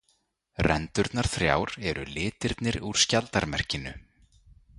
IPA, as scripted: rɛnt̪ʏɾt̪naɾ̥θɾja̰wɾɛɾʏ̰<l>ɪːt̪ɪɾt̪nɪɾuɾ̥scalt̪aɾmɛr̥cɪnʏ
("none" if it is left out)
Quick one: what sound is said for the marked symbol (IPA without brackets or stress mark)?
l